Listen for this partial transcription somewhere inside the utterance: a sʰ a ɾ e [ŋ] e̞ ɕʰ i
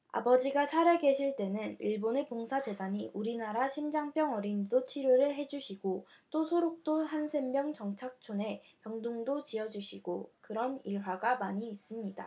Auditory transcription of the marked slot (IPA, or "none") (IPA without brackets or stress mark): ɡ